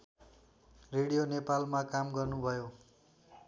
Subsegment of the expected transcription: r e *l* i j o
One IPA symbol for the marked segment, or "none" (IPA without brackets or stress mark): ɽ